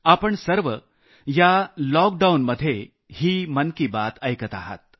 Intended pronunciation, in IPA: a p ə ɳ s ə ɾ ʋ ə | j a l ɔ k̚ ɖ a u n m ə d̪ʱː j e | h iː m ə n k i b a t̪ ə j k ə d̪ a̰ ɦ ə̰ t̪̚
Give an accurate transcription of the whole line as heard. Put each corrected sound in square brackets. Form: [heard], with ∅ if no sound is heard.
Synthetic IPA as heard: a p ə ɳ s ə ɾ ʋ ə | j a l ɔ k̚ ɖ a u n m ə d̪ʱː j e | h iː m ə n k i b a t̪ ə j k ə [t̪] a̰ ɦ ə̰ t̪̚